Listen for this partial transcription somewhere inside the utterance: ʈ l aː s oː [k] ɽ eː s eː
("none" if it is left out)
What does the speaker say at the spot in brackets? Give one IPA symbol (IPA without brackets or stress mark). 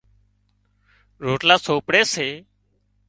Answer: p